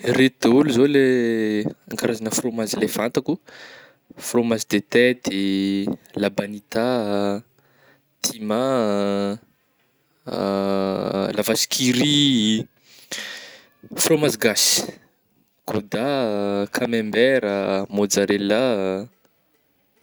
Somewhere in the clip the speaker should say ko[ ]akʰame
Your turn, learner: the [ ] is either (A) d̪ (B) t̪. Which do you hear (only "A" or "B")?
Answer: A